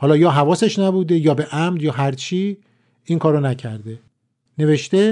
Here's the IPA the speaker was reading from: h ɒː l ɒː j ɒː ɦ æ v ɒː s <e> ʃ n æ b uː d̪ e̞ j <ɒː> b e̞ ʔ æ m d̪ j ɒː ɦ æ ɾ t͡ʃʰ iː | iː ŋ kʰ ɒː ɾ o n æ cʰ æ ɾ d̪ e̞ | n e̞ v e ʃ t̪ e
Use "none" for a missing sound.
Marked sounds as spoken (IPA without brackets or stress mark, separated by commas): e, ɒː